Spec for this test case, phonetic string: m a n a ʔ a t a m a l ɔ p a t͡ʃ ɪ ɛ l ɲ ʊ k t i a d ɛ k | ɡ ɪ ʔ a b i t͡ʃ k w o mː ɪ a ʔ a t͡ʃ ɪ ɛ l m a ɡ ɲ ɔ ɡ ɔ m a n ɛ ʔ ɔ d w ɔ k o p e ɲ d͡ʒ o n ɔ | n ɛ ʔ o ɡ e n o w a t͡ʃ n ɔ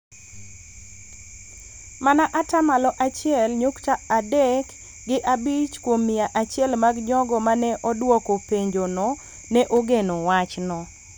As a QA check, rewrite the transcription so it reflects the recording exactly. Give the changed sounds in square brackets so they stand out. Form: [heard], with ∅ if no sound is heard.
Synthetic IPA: m a n a ʔ a t a m a l ɔ [ʔ] a t͡ʃ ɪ ɛ l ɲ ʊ k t [a] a d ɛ k | ɡ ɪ ʔ a b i t͡ʃ k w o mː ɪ a ʔ a t͡ʃ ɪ ɛ l m a ɡ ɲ ɔ ɡ ɔ m a n ɛ ʔ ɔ d w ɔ k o p e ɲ d͡ʒ o n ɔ | n ɛ ʔ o ɡ e n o w a t͡ʃ n ɔ